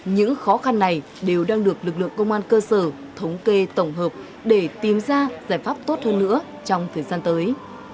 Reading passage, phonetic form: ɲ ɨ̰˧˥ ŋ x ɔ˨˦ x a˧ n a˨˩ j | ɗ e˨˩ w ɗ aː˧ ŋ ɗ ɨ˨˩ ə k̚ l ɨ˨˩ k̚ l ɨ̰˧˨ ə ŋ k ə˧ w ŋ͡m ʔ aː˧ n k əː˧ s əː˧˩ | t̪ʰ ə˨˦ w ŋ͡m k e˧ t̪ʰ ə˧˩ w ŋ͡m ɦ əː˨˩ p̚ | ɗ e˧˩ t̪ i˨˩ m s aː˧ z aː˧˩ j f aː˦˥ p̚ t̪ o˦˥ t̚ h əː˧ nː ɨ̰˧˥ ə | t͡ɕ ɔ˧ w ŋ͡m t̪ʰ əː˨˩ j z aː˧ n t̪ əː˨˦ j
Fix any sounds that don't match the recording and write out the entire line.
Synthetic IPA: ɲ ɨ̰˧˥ ŋ x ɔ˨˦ x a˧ nː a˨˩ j | ɗ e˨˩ w ɗ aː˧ ŋ ɗ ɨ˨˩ ə k̚ l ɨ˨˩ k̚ l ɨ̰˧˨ ə ŋ k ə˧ w ŋ͡m ʔ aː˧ n k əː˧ s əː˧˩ | t̪ʰ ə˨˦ w ŋ͡m k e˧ t̪ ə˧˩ w ŋ͡m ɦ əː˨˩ p̚ | ɗ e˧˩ t̪ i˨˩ m z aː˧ z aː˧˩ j f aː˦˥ p̚ t̪ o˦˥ t̚ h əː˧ nː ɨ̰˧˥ ə | t͡ɕ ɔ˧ w ŋ͡m t̪ʰ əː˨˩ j z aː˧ n t̪ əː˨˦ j